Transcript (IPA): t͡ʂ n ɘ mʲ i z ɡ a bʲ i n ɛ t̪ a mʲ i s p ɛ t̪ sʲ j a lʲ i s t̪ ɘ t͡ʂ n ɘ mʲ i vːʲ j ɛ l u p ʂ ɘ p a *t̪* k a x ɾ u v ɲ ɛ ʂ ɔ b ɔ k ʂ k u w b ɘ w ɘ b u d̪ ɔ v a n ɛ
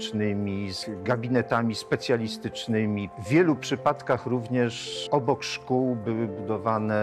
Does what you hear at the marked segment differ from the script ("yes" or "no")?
no